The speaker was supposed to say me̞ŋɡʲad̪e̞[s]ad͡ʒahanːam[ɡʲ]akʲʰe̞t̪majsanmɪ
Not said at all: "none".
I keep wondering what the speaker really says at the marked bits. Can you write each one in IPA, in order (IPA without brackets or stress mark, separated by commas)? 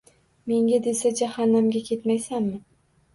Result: s, ɡʲ